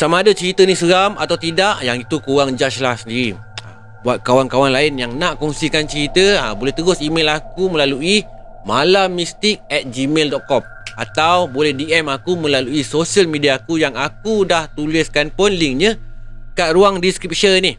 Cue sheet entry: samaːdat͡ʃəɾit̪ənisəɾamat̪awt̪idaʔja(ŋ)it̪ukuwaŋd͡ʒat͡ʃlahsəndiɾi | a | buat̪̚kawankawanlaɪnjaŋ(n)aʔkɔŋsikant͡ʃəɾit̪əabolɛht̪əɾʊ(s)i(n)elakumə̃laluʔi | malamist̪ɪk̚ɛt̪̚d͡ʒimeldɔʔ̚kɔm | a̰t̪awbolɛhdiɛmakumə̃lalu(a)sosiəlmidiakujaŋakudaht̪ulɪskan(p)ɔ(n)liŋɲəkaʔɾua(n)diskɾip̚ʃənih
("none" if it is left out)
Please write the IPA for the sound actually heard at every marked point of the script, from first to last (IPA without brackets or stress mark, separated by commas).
ŋ, n, s, m, i, p, n, ŋ